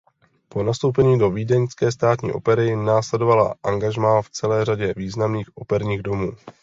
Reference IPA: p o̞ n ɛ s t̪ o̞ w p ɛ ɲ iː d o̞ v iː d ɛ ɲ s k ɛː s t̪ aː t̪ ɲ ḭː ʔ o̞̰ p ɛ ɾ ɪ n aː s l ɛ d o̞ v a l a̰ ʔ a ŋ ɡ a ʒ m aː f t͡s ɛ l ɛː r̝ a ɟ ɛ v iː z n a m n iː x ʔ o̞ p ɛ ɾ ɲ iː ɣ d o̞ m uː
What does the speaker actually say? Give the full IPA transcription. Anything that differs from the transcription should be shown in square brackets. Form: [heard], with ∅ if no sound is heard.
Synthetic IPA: p o̞ n [a] s t̪ o̞ w p ɛ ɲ iː d o̞ v iː d ɛ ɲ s k ɛː s t̪ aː t̪ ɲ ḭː ʔ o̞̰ p ɛ ɾ ɪ n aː s l ɛ d o̞ v a l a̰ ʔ a ŋ ɡ a ʒ m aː f t͡s ɛ l ɛː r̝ a ɟ ɛ v iː z n a m n iː x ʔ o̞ p ɛ ɾ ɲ iː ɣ d o̞ m uː

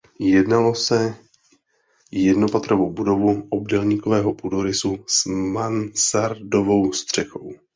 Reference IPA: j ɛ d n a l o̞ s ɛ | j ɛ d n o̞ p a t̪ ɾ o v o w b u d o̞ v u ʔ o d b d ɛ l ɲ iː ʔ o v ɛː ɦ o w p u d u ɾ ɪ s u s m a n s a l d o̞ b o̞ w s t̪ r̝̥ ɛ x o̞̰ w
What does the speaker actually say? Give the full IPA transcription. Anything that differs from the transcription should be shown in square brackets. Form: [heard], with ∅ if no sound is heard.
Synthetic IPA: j ɛ d n a l o̞ s ɛ | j ɛ d n o̞ p a t̪ ɾ o v o w b u d o̞ v u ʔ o [∅] b d ɛ l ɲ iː [k] o v ɛː ɦ o [∅] p u d [o] ɾ ɪ s u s m a n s a [ɾ] d o̞ [v] o̞ w s t̪ r̝̥ ɛ x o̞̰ w

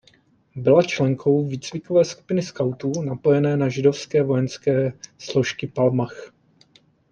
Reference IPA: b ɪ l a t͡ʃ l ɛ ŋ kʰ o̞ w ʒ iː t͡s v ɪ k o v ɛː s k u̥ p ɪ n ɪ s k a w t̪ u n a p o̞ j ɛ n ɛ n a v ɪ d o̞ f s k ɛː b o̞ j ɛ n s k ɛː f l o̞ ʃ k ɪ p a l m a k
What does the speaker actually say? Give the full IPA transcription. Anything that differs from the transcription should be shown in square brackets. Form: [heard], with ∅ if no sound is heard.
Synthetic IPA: b ɪ l a t͡ʃ l ɛ ŋ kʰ o̞ w [v] iː t͡s v ɪ k o v ɛː s k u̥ p ɪ n ɪ s k a w t̪ u n a p o̞ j ɛ n [ɛː] n a [ʒ] ɪ d o̞ f s k ɛː [v] o̞ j ɛ n s k ɛː [s] l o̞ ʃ k ɪ p a l m a [x]

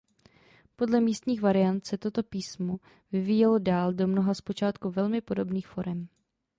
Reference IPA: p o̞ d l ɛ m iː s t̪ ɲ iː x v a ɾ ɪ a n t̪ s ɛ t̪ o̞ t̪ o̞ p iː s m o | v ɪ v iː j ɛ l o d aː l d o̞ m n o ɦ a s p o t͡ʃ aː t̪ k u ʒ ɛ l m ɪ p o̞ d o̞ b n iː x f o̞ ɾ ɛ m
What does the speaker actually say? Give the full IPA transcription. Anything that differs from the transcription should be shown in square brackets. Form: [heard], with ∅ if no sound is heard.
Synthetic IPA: p o̞ d l ɛ m iː s t̪ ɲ iː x v a ɾ ɪ a n t̪ s ɛ t̪ o̞ t̪ o̞ p iː s m o | v ɪ v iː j ɛ l o d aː l d o̞ m n o ɦ a s p o t͡ʃ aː t̪ k u [v] ɛ l m ɪ p o̞ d o̞ b n iː x f o̞ ɾ ɛ m

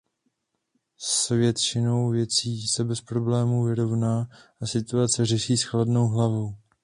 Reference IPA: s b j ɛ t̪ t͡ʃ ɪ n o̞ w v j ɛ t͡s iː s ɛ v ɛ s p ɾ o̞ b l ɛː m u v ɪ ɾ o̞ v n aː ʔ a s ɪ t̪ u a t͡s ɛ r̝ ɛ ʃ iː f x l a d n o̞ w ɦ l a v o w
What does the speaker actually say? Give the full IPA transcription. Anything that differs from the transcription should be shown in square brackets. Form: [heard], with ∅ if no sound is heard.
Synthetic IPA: s [v] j ɛ t̪ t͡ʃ ɪ n o̞ w v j ɛ t͡s iː s ɛ [b] ɛ s p ɾ o̞ b l ɛː m u v ɪ ɾ o̞ v n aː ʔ a s ɪ t̪ u a t͡s ɛ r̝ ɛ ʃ iː [s] x l a d n o̞ w ɦ l a v o w

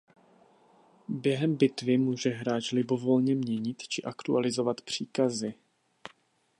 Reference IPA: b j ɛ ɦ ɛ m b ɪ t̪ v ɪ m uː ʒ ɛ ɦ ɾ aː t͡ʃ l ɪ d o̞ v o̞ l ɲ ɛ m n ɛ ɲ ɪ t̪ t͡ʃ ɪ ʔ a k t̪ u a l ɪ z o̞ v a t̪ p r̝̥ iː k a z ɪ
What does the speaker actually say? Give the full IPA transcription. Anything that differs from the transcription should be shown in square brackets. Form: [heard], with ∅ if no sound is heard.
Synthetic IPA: b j ɛ ɦ ɛ m b ɪ t̪ v ɪ m uː ʒ ɛ ɦ ɾ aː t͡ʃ l ɪ [b] o̞ v o̞ l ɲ ɛ m [ɲ] ɛ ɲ ɪ t̪ t͡ʃ ɪ ʔ a k t̪ u a l ɪ z o̞ v a t̪ p r̝̥ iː k a z ɪ

